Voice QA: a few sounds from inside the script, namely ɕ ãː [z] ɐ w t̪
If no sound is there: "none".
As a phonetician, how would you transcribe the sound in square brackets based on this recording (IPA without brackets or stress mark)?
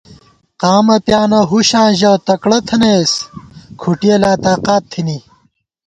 ʑ